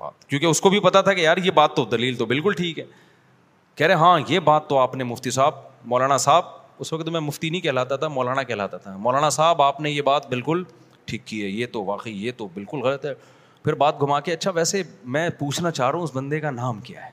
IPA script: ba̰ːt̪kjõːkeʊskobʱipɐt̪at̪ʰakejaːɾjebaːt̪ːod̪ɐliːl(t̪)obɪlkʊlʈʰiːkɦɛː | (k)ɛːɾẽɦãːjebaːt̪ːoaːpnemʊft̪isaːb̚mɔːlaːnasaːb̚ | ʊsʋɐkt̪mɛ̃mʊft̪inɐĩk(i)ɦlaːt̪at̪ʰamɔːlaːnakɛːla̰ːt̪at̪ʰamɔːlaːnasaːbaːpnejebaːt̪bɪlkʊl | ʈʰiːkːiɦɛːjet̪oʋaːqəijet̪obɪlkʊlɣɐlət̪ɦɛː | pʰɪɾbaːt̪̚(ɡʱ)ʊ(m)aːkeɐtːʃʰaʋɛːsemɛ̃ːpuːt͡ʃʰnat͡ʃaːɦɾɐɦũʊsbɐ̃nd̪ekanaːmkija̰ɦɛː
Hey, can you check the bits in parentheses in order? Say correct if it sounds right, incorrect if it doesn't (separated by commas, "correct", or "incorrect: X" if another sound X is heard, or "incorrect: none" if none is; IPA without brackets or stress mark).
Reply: correct, correct, incorrect: ɛ, correct, correct